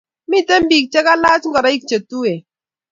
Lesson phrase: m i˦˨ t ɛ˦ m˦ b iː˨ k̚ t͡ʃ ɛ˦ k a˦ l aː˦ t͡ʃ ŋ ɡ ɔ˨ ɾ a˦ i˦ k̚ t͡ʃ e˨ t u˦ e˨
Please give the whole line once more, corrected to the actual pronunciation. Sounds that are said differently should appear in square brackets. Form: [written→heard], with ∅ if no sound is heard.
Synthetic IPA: m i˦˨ t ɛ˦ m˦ b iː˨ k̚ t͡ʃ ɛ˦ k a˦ l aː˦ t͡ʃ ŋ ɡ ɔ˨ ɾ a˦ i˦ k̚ t͡ʃ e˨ t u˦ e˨